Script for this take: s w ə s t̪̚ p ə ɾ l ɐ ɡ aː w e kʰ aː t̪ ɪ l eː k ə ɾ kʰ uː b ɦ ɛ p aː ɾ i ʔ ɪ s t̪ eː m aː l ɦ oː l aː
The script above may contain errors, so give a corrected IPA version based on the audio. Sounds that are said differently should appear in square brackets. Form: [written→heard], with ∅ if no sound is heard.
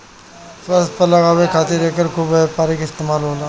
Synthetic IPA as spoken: s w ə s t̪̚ p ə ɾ l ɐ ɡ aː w e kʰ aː t̪ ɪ [l→ɾ] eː k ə ɾ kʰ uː b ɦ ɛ p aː ɾ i [ʔ→k] ɪ s t̪ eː m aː l ɦ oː l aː

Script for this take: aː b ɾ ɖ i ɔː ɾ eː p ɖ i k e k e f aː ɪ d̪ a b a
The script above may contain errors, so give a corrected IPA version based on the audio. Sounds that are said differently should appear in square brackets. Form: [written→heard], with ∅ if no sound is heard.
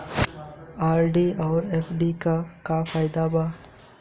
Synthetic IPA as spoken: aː [b→∅] ɾ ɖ i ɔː ɾ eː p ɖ i k [e→a] k [e→a] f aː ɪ d̪ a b a

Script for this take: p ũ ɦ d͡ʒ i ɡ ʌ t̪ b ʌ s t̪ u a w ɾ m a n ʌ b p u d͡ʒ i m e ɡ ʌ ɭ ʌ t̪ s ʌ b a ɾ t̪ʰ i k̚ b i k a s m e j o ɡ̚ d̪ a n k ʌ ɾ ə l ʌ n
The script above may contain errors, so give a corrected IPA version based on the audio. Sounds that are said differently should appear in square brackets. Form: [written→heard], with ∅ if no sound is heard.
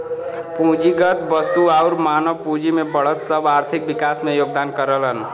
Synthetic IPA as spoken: p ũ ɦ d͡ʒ i ɡ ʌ t̪ b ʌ s t̪ u a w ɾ m a n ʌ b p u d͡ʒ i m e [ɡ→b] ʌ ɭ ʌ t̪ s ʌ b a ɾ t̪ʰ i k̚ b i k a s m e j o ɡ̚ d̪ a n k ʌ ɾ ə l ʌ n

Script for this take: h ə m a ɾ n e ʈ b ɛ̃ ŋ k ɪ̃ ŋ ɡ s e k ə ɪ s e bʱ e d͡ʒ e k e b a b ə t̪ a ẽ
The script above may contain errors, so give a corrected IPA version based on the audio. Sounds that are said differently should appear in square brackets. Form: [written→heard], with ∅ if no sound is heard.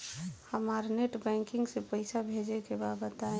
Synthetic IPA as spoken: h ə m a ɾ n e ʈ b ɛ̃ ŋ k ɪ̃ ŋ ɡ s e [k→p] ə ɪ s [e→a] bʱ e d͡ʒ e k e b a b ə t̪ a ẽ

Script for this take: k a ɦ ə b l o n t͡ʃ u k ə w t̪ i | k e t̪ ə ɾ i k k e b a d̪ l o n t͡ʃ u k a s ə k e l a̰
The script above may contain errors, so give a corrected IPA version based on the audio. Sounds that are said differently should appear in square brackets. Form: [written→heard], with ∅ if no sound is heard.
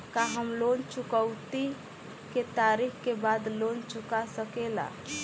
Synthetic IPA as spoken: k a ɦ ə [b→m] l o n t͡ʃ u k ə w t̪ i | k e t̪ [ə→a] ɾ i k k e b a d̪ l o n t͡ʃ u k a s ə k e l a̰

